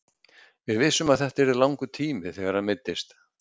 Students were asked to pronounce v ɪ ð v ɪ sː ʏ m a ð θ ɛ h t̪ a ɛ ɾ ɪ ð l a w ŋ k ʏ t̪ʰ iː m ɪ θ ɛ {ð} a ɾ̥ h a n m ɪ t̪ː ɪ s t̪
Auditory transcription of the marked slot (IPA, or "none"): ɣ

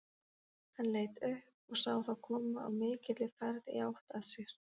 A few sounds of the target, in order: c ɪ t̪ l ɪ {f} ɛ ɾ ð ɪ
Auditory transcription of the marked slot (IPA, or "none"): f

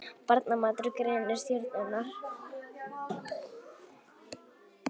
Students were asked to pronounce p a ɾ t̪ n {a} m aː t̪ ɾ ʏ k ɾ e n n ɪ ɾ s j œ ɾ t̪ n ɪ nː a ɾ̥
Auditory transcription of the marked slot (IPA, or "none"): a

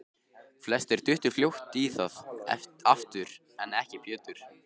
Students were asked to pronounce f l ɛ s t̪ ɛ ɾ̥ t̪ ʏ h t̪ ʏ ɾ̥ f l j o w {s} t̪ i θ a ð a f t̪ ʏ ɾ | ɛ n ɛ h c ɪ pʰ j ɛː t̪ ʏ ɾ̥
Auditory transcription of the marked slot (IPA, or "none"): h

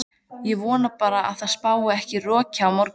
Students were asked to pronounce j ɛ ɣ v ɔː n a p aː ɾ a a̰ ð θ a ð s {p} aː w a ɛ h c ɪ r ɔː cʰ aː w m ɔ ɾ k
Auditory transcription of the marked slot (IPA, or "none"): p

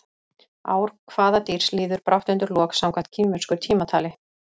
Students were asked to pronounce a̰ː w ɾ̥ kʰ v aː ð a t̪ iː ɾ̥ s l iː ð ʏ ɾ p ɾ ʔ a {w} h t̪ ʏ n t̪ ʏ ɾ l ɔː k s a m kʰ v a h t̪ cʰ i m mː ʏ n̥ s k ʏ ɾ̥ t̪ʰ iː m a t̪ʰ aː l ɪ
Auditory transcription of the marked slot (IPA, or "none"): w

